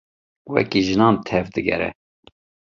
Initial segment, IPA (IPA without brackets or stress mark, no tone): w